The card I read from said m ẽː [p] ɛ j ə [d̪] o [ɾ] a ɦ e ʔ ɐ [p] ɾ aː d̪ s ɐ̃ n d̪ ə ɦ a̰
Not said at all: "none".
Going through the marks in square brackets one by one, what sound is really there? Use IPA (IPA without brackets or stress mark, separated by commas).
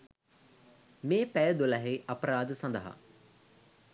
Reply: p, d̪, l, p